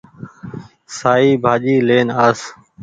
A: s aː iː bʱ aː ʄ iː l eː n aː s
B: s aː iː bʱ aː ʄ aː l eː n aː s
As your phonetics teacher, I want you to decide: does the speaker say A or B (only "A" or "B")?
A